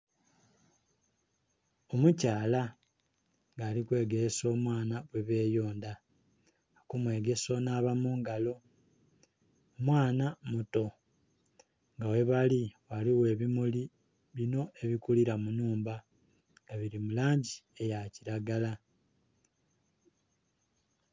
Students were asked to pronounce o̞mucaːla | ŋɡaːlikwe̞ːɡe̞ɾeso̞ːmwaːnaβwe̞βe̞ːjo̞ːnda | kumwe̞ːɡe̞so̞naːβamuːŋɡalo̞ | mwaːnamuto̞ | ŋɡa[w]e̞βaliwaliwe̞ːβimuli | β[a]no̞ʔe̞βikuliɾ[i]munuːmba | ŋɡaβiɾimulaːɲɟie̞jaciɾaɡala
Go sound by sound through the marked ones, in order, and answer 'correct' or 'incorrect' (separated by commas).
correct, incorrect, incorrect